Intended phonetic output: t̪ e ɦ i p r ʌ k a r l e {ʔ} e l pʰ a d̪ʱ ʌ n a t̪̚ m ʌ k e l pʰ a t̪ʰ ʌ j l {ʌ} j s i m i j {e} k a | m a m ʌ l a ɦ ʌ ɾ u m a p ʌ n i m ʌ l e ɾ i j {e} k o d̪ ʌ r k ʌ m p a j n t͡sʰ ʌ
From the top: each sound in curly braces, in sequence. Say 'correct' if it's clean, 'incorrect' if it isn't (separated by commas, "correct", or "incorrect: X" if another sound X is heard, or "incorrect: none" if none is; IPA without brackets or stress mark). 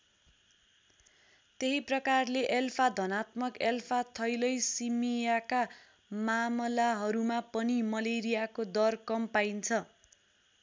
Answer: correct, correct, incorrect: a, incorrect: a